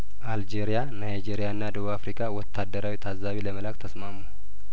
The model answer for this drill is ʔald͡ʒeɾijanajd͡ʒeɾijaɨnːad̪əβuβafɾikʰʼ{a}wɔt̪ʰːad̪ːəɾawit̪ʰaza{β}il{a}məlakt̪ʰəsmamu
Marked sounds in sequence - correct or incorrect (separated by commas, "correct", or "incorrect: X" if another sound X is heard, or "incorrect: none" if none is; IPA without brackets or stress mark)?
correct, correct, incorrect: ə